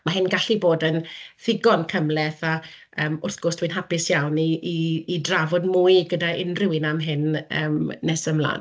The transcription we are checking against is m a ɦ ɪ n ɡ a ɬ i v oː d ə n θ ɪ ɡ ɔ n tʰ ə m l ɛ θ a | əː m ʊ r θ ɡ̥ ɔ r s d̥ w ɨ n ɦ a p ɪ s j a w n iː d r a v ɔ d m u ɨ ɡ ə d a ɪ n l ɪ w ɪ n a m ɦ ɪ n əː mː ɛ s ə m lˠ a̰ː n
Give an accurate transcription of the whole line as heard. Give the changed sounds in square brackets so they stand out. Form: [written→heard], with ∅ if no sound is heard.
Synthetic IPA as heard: m a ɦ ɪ n ɡ a ɬ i [v→b] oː d ə n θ ɪ ɡ ɔ n [tʰ→kʰ] ə m l ɛ θ a | əː m ʊ r θ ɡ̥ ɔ r s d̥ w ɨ n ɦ a p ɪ s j a w n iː d r a v ɔ d m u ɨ ɡ ə d a ɪ n [l→r] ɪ w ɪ n a m ɦ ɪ n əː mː ɛ s ə m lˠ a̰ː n